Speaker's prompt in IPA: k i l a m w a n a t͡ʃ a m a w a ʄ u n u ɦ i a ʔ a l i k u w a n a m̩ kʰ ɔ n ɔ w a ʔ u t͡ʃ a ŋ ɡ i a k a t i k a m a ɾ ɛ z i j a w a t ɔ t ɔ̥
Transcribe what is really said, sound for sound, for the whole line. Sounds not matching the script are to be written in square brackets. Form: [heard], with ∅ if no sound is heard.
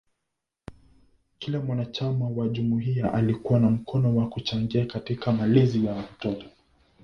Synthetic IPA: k i l a m w a n a t͡ʃ a m a w a ʄ u [m] u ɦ i a ʔ a l i k u w a n a m̩ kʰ ɔ n ɔ w a [k] u t͡ʃ a ŋ ɡ i a k a t i k a m a [l] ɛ z i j a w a t ɔ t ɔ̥